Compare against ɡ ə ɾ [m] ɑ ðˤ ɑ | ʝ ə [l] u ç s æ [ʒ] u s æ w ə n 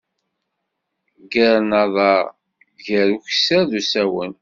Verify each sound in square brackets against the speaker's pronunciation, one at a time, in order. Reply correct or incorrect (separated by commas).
incorrect, incorrect, incorrect